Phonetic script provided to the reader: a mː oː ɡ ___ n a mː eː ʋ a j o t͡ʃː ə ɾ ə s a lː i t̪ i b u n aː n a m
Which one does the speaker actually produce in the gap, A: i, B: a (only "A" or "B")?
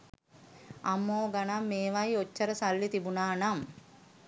B